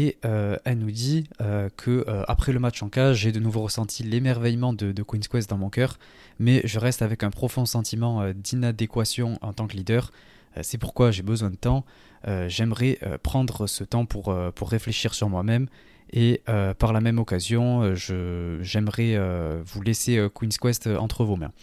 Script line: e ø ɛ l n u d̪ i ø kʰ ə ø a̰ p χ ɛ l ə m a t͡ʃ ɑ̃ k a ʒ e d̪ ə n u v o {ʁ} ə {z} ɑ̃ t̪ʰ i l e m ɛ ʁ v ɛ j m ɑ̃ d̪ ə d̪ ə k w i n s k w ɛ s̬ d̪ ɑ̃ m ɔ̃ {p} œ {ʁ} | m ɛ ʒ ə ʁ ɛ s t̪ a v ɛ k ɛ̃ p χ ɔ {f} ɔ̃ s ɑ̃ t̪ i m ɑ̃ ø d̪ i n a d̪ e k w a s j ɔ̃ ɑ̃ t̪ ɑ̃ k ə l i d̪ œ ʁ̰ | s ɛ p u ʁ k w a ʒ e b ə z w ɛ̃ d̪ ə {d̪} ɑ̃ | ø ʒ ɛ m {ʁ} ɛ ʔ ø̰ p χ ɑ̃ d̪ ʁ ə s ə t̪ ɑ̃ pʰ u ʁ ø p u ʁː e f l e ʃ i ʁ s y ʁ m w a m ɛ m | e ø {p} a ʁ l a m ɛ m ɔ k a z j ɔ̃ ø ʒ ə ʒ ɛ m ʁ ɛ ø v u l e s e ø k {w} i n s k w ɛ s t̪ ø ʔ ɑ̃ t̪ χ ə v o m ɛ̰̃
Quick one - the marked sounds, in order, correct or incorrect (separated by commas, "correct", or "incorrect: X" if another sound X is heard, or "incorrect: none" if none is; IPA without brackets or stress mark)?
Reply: correct, incorrect: s, incorrect: k, correct, correct, incorrect: t̪, correct, correct, correct